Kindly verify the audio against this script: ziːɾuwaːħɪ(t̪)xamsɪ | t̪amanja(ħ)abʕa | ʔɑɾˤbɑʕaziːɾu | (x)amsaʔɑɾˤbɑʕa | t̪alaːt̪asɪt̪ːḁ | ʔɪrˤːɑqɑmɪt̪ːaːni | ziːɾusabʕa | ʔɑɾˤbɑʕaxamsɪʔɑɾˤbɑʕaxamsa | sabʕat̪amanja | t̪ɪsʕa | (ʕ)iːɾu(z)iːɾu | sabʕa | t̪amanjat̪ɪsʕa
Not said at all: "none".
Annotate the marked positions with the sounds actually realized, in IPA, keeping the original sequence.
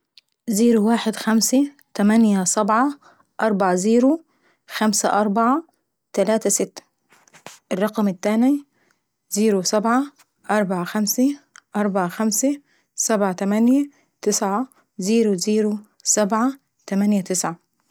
d̪, s, x, z, z

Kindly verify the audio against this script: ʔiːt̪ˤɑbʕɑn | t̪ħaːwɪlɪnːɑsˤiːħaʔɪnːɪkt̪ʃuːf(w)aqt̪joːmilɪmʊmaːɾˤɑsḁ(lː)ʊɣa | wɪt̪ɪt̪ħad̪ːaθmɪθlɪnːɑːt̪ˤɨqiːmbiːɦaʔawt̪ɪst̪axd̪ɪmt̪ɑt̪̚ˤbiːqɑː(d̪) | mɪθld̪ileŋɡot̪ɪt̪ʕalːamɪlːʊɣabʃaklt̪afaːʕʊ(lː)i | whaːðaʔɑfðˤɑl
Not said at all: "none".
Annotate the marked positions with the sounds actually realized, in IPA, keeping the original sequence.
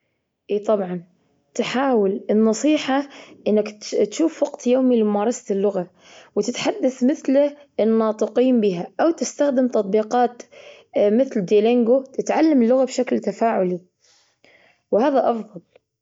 w, lː, t̪, l

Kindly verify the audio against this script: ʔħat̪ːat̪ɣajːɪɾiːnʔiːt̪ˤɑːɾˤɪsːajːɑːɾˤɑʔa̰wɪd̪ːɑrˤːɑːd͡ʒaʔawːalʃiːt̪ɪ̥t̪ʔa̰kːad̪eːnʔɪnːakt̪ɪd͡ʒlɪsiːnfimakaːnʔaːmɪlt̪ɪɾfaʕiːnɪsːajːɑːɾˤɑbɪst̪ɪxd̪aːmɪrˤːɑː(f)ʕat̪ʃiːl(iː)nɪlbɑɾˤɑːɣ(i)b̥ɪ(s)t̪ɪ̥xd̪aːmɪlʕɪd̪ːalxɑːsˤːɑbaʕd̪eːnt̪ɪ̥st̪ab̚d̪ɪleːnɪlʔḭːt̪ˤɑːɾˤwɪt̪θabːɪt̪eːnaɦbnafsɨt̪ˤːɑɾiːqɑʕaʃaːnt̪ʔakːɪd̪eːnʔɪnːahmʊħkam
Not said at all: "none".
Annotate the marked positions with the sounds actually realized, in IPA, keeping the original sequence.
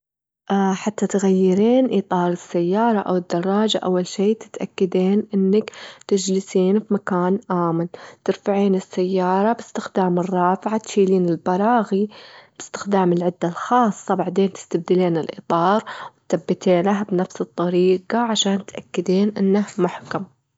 f, iː, i, s

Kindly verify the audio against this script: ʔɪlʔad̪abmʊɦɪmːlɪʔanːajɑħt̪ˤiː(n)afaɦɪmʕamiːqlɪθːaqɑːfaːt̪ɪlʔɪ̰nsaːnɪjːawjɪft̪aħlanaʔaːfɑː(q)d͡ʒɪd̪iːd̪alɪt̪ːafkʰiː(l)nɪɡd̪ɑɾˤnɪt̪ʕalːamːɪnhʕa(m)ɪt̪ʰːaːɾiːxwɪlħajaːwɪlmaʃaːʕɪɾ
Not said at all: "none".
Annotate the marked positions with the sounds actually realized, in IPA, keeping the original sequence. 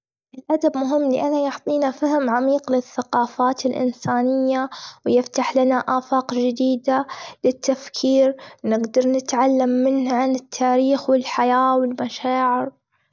n, q, ɾ, n

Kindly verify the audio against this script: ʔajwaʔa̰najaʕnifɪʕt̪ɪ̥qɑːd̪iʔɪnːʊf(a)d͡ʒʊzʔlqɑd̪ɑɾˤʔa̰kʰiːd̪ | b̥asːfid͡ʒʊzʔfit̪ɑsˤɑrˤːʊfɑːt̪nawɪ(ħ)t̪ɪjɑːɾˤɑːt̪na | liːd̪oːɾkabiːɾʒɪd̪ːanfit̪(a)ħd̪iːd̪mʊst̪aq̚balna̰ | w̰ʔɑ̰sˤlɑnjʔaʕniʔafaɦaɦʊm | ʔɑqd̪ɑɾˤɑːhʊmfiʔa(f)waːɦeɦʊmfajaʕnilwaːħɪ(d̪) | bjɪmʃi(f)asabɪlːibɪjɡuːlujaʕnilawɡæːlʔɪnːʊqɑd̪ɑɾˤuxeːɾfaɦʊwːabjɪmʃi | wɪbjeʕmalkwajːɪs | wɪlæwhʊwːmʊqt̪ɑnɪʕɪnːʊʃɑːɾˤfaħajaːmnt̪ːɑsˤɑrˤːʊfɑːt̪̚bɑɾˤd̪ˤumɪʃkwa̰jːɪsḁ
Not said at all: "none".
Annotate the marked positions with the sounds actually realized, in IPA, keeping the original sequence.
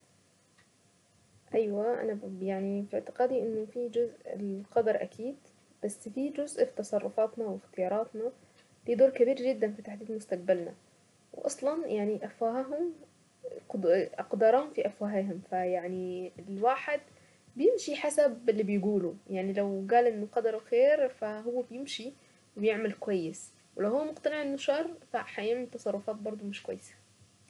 i, x, a, f, d̪, ħ

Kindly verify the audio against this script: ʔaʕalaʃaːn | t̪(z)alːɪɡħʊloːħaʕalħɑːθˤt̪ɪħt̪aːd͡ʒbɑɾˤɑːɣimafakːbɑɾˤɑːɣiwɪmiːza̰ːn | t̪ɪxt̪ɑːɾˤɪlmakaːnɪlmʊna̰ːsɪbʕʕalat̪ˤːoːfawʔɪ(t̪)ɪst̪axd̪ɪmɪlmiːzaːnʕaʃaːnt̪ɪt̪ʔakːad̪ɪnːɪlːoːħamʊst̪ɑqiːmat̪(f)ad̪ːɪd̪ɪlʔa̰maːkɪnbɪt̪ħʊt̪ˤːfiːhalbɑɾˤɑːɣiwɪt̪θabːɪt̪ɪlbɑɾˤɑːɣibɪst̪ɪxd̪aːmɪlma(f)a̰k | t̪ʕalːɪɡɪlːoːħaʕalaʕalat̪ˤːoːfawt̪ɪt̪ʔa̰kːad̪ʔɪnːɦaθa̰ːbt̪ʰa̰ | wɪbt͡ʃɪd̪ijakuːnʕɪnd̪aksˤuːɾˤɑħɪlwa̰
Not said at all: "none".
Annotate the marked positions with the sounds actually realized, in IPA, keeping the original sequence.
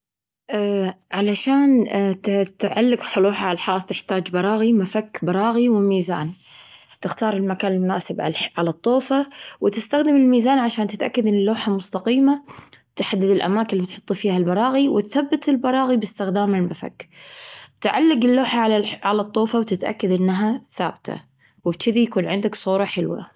ʕ, t̪, ħ, f

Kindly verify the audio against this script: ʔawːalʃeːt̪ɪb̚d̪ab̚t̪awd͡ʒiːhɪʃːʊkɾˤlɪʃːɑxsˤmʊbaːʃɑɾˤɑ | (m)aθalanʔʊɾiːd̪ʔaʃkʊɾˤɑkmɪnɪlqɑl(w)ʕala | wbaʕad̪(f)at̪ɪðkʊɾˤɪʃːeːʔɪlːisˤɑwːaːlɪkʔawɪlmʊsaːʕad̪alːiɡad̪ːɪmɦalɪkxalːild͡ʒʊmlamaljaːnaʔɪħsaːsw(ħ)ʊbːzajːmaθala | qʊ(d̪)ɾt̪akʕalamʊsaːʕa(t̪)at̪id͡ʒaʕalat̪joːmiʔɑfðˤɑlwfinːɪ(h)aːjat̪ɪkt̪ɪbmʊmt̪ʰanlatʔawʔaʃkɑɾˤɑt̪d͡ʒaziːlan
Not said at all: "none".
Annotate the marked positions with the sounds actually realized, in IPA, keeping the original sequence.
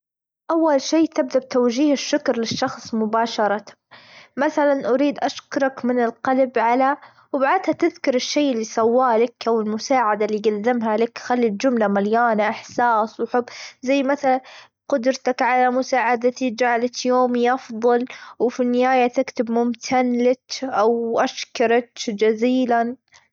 m, b, h, ħ, d̪, d̪, h

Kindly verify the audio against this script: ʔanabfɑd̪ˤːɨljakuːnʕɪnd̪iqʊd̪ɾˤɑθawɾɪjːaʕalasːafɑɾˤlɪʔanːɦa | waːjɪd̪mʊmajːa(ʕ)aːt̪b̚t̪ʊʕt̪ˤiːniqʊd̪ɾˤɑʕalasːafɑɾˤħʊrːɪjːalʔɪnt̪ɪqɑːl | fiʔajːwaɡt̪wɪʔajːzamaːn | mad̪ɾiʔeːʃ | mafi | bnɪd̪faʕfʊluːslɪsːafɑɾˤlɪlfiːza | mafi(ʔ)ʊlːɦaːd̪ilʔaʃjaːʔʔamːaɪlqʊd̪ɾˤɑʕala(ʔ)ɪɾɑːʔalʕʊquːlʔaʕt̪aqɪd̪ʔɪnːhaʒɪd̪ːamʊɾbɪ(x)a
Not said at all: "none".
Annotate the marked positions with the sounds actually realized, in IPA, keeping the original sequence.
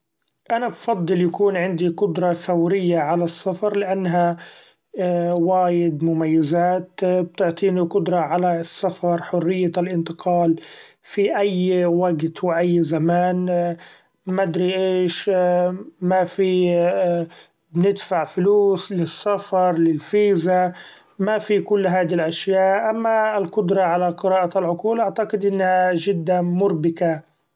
z, k, q, k

